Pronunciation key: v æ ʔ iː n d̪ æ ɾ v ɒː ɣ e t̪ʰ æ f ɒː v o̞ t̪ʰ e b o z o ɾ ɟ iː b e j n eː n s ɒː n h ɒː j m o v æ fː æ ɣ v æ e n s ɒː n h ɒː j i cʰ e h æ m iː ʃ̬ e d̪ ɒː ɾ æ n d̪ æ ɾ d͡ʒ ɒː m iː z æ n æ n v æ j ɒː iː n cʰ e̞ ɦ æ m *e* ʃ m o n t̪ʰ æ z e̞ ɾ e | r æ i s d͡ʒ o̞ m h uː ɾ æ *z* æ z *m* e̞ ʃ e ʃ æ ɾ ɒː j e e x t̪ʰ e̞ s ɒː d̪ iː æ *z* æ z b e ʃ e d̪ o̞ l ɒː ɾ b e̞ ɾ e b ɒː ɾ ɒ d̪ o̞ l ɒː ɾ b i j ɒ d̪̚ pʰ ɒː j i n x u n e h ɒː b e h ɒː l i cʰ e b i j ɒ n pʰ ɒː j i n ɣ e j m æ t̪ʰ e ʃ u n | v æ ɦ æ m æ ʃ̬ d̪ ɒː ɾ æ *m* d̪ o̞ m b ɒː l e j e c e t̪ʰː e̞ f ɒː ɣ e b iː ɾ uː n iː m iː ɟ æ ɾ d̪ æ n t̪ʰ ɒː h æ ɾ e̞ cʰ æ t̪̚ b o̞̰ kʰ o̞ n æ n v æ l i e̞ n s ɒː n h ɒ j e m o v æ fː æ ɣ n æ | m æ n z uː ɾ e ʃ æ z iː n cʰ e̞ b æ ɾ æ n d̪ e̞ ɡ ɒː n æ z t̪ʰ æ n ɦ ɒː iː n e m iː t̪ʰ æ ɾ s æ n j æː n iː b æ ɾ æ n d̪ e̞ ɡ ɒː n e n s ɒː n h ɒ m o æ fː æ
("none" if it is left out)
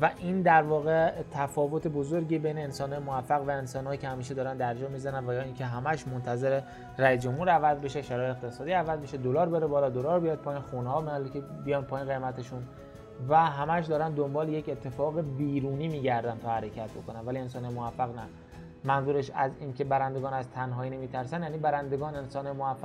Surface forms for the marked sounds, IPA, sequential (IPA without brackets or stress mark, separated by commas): æ, v, b, v, n